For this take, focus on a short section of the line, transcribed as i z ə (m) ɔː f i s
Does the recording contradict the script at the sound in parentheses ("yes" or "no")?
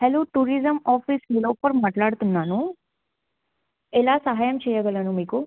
no